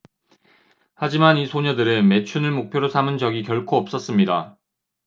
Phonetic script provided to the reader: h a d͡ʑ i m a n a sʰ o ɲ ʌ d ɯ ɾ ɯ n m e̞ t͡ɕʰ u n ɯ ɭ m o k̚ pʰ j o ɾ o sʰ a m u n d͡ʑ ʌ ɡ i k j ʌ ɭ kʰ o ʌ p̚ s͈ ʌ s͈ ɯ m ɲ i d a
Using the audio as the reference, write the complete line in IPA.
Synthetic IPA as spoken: h a d͡ʑ i m a n i sʰ o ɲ ʌ d ɯ ɾ ɯ n m e̞ t͡ɕʰ u n ɯ ɭ m o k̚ pʰ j o ɾ o sʰ a m ɯ n d͡ʑ ʌ ɡ i k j ʌ ɭ kʰ o ʌ p̚ s͈ ʌ s͈ ɯ m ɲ i d a

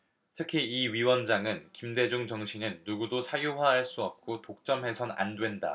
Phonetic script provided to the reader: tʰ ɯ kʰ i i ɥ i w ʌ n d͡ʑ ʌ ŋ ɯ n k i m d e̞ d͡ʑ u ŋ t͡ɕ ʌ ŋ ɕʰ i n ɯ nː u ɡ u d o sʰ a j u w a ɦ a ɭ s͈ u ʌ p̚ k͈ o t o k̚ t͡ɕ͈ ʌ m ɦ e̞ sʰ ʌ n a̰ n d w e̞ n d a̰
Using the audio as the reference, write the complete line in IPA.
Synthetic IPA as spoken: tʰ ɯ kʰ i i ɥ i w ʌ n d͡ʑ a ŋ ɯ n k i m d e̞ d͡ʑ u ŋ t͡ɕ ʌ ŋ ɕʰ i n ɯ nː u ɡ u d o sʰ a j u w a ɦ a ɭ s͈ u ʌ p̚ k͈ o t o k̚ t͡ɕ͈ ʌ m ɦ e̞ sʰ ʌ n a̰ n d w e̞ n d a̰

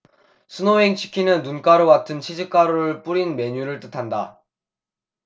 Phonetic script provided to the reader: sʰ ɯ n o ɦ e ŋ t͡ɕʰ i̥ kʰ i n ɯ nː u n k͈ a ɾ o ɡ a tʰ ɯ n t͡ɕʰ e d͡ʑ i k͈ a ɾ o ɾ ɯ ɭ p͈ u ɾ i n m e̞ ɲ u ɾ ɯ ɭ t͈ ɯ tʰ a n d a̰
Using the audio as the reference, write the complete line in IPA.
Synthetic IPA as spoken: sʰ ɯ n o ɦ e ŋ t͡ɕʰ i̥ kʰ i n ɯ nː u n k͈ a ɾ o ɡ a tʰ ɯ n t͡ɕʰ i d͡ʑ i k͈ a ɾ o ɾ ɯ ɭ p͈ u ɾ i n m e̞ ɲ u ɾ ɯ ɭ t͈ ɯ tʰ a n d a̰

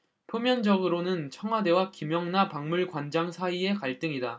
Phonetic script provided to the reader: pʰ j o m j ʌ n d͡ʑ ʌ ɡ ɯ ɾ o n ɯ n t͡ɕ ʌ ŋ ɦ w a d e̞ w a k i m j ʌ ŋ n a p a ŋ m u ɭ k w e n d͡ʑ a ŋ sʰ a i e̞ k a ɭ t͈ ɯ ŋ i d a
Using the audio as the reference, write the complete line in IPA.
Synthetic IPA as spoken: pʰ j o m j ʌ n d͡ʑ ʌ ɡ ɯ ɾ o n ɯ n t͡ɕʰ ʌ ŋ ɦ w a d e̞ w a k i m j ʌ ŋ n a p a ŋ m u ɭ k w a n d͡ʑ a ŋ sʰ a i e̞ k a ɭ t͈ ɯ ŋ i d a

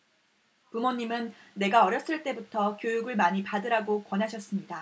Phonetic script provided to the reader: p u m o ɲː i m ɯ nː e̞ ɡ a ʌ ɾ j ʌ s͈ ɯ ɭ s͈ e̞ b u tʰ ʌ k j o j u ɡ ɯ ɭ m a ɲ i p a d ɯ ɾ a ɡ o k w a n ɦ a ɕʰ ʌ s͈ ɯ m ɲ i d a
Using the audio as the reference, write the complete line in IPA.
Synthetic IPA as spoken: p u m o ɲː i m ɯ nː e̞ ɡ a ʌ ɾ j ʌ s͈ ɯ ɭ t͈ e̞ b u tʰ ʌ k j o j u ɡ ɯ ɭ m a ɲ i p a d ɯ ɾ a ɡ o k w ʌ n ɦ a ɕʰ ʌ s͈ ɯ m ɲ i d a

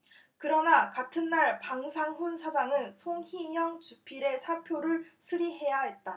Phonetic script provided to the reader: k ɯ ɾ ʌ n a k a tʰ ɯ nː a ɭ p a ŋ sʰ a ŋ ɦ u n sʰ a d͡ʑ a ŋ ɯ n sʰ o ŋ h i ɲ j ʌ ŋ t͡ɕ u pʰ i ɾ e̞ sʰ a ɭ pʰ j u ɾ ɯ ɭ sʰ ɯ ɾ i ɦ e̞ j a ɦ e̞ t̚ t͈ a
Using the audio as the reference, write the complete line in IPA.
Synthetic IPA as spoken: k ɯ ɾ ʌ n a k a tʰ ɯ nː a ɭ p a ŋ sʰ a ŋ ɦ u n sʰ a d͡ʑ a ŋ ɯ n sʰ o ŋ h i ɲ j ʌ ŋ t͡ɕ u pʰ i ɾ e̞ sʰ a ɭ pʰ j o ɾ ɯ ɭ sʰ ɯ ɾ i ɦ e̞ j a ɦ e̞ t̚ t͈ a

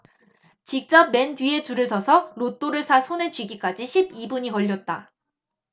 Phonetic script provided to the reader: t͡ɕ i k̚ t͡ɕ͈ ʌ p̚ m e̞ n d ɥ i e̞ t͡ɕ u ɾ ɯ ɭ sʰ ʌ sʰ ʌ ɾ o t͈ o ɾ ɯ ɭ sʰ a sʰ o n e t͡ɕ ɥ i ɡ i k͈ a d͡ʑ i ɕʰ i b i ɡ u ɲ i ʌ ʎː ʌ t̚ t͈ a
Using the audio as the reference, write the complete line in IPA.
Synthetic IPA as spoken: t͡ɕ i k̚ t͡ɕ͈ ʌ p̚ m e̞ n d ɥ i e̞ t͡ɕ u ɾ ɯ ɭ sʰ ʌ sʰ ʌ ɾ o t͈ o ɾ ɯ ɭ sʰ a sʰ o n e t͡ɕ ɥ i ɡ i k͈ a d͡ʑ i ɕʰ i b i b u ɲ i ʌ ʎː ʌ t̚ t͈ a

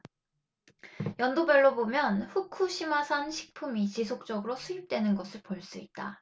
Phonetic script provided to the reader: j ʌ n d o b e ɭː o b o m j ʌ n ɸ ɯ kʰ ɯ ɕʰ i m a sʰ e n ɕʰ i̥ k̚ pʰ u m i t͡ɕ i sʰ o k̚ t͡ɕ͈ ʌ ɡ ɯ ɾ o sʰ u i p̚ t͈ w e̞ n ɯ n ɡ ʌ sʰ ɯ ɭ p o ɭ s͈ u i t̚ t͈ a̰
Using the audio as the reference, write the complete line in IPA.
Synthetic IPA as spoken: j ʌ n d o b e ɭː o b o m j ʌ n ɸ u kʰ u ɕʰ i m a sʰ a n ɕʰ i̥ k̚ pʰ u m i t͡ɕ i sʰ o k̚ t͡ɕ͈ ʌ ɡ ɯ ɾ o sʰ u i p̚ t͈ w e̞ n ɯ n ɡ ʌ sʰ ɯ ɭ p o ɭ s͈ u i t̚ t͈ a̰

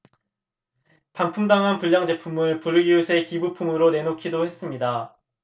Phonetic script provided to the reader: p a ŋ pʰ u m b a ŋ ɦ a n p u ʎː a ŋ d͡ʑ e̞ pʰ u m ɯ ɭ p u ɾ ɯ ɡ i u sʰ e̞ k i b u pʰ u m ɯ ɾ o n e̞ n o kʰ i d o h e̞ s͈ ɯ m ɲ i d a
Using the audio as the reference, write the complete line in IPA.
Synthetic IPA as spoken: p a ŋ pʰ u m d a ŋ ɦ a n p u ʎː a ŋ d͡ʑ e̞ pʰ u m ɯ ɭ p u ɾ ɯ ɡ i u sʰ e̞ k i b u pʰ u m ɯ ɾ o n e̞ n o kʰ i d o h e̞ s͈ ɯ m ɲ i d a

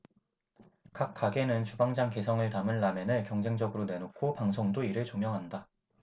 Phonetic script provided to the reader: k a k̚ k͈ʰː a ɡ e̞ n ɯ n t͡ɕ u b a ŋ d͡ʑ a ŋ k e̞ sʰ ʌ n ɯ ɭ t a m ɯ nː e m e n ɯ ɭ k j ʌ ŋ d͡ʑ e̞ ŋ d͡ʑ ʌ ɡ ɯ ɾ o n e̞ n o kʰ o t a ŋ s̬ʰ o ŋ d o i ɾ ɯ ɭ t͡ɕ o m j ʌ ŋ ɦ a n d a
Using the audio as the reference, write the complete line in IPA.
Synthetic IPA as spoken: k a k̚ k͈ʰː a ɡ e̞ n ɯ n t͡ɕ u b a ŋ d͡ʑ a ŋ k e̞ sʰ ʌ ŋ ɯ ɭ t a m ɯ nː a m e n ɯ ɭ k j ʌ ŋ d͡ʑ e̞ ŋ d͡ʑ ʌ ɡ ɯ ɾ o n e̞ n o kʰ o p a ŋ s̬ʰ o ŋ d o i ɾ ɯ ɭ t͡ɕ o m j ʌ ŋ ɦ a n d a

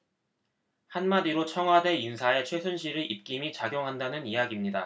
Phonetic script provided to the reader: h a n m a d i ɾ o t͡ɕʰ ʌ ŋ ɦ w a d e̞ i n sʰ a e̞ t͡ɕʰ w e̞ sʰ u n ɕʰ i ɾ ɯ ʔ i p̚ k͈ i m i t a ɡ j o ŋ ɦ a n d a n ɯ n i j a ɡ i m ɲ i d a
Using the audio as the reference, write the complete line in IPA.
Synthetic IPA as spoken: h a n m a d i ɾ o t͡ɕʰ ʌ ŋ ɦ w a d e̞ i n sʰ a e̞ t͡ɕʰ w e̞ sʰ u n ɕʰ i ɾ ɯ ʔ i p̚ k͈ i m i t͡ɕ a ɡ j o ŋ ɦ a n d a n ɯ n i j a ɡ i m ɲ i d a

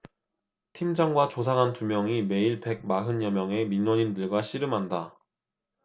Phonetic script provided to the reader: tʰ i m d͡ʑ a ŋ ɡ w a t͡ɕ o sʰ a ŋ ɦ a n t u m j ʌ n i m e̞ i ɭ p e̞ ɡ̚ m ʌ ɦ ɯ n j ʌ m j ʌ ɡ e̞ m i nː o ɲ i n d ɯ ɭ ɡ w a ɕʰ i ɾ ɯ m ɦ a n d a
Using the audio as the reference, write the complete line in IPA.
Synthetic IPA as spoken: tʰ i m d͡ʑ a ŋ ɡ w a t͡ɕ o sʰ a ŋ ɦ a n t u m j ʌ ŋ i m e̞ i ɭ p e̞ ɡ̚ m a ɦ ɯ n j ʌ m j ʌ ŋ e̞ m i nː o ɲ i n d ɯ ɭ ɡ w a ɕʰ i ɾ ɯ m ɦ a n d a

